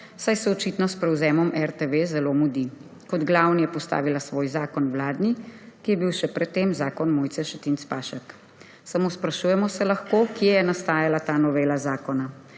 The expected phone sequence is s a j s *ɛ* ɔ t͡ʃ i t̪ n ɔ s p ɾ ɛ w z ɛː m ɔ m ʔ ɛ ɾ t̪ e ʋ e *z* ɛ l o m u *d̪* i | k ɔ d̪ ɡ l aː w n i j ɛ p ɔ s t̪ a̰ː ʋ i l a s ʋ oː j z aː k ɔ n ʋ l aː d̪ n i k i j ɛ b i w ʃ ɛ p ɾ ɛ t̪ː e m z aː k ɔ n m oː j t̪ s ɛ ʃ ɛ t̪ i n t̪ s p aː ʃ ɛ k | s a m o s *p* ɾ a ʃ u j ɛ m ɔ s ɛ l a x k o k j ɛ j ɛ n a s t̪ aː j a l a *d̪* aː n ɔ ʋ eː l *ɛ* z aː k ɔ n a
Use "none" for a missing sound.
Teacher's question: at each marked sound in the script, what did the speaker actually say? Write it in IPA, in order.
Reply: ɛ, z, d̪, p, t̪, a

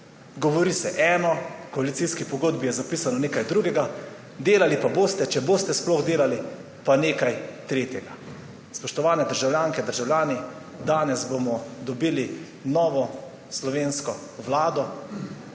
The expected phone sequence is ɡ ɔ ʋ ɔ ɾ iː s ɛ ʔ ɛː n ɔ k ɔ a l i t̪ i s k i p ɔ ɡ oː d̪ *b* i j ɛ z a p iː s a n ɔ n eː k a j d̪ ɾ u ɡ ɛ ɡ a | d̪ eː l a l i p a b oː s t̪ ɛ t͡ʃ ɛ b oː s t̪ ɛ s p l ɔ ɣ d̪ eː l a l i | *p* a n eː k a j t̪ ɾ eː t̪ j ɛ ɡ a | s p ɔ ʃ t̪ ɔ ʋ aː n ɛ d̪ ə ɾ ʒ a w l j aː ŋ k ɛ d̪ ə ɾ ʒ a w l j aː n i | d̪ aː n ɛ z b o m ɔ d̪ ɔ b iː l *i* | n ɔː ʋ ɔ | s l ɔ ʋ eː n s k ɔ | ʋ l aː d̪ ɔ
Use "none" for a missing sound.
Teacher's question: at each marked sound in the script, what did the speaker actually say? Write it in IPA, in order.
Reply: b, p, i

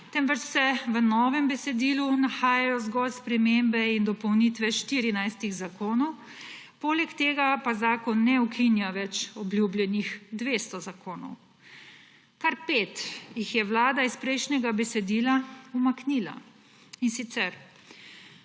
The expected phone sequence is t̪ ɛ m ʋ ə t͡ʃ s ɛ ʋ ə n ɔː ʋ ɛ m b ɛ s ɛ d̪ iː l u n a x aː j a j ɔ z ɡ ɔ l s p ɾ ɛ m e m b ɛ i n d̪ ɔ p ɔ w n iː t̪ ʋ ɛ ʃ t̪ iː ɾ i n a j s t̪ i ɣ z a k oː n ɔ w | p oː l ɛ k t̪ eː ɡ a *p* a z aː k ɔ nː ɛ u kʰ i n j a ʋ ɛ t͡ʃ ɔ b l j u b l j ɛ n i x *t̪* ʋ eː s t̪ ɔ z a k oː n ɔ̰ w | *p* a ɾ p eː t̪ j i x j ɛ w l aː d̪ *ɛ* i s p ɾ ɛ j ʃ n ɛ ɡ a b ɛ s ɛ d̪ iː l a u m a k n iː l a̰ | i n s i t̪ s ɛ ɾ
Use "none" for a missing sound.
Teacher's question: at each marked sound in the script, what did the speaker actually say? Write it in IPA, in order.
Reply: p, d̪, k, a

